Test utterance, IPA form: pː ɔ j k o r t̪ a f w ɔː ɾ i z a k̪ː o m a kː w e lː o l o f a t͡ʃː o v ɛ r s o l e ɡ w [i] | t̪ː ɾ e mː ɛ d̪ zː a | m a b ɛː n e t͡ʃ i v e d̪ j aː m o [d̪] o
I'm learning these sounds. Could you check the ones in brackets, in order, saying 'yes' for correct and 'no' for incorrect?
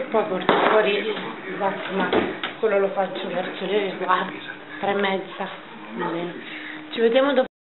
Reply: no, yes

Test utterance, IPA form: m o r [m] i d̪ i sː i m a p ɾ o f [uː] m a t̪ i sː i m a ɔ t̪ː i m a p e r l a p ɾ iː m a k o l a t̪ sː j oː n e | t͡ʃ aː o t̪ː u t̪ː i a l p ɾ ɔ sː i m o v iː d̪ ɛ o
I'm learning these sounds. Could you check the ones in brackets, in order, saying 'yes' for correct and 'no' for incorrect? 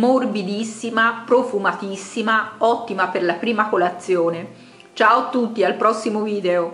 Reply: no, no

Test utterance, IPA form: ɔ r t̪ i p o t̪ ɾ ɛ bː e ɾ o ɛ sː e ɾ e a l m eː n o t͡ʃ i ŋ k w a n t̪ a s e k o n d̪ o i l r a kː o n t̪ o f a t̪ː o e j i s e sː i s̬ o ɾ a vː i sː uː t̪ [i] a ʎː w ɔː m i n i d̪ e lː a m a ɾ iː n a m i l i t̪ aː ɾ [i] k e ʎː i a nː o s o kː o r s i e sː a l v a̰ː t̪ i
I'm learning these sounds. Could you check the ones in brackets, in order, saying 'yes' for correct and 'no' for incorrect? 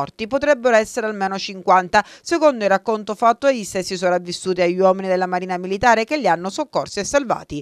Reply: yes, no

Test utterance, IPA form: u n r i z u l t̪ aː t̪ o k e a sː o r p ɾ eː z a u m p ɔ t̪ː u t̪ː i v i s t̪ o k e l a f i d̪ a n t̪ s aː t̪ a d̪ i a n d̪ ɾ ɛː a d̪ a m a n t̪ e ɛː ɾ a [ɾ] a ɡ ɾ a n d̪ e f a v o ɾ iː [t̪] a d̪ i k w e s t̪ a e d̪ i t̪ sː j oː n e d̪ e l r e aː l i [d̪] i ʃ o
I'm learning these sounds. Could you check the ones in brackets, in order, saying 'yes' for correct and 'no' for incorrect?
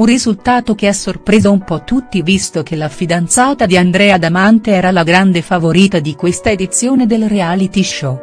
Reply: no, yes, no

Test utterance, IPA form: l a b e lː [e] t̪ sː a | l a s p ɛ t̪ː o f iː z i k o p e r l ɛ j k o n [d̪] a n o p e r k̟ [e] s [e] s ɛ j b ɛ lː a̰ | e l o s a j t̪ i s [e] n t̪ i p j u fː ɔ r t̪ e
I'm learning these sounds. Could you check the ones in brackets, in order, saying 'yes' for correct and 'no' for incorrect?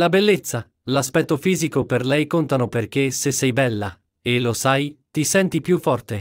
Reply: yes, no, yes, yes, no

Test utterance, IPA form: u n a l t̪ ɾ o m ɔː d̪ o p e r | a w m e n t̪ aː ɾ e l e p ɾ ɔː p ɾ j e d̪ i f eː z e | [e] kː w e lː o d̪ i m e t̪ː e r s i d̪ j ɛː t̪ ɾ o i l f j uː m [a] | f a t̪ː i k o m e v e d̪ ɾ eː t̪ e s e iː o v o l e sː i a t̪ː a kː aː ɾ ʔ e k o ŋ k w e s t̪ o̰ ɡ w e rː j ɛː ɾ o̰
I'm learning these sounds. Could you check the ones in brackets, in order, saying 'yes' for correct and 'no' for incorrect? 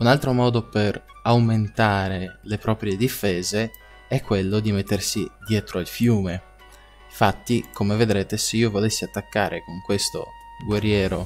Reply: no, no

